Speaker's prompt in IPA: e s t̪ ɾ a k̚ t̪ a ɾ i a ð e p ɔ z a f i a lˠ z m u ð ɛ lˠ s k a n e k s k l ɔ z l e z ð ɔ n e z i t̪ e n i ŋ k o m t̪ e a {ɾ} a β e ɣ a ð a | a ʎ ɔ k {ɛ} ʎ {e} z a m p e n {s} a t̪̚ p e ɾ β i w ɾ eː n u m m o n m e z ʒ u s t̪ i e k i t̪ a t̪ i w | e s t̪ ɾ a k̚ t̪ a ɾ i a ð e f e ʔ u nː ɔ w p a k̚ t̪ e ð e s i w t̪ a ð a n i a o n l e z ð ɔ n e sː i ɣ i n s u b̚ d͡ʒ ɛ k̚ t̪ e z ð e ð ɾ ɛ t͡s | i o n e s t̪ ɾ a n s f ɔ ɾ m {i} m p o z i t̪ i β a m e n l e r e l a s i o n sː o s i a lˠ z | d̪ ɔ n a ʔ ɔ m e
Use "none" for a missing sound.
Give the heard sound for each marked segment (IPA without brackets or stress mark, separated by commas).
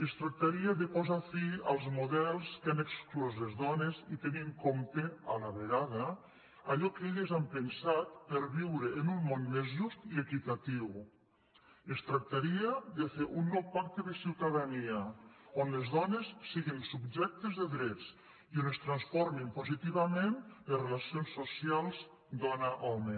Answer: l, e, e, s, i